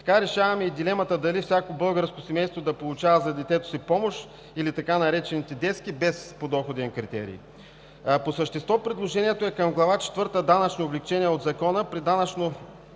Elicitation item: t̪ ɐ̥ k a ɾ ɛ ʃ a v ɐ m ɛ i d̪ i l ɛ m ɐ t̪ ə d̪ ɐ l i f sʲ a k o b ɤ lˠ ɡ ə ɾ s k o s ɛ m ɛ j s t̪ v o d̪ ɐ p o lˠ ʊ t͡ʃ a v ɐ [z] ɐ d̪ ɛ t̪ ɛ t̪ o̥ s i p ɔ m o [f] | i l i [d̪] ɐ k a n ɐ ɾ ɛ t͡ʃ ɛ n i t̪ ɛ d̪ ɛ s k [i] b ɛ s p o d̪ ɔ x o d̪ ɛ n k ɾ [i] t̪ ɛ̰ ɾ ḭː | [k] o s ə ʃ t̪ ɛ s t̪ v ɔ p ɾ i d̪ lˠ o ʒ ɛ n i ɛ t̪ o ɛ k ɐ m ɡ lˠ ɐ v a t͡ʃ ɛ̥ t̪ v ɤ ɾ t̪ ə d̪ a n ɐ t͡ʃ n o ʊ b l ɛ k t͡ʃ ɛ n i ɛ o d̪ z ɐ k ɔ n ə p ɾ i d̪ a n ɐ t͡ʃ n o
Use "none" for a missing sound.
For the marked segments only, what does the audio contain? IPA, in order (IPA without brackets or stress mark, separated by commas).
z, ʃ, t̪, i, i, p